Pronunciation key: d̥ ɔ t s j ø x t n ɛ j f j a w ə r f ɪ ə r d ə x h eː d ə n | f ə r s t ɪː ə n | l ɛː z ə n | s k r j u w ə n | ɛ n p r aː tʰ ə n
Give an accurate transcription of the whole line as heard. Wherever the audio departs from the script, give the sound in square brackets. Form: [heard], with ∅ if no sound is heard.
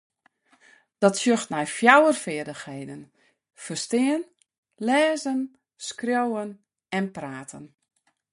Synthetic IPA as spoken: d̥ ɔ t s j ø x t n ɛ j f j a w ə r f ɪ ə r d ə x h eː d ə n | f ə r s t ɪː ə n | l ɛː z ə n | s k r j [o] w ə n | ɛ n p r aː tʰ ə n